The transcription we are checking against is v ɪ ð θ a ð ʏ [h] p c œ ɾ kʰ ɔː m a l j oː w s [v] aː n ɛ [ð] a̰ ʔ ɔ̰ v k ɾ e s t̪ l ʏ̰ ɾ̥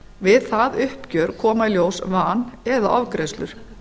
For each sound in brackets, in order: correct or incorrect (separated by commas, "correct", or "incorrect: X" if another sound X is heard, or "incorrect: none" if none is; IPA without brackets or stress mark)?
correct, correct, correct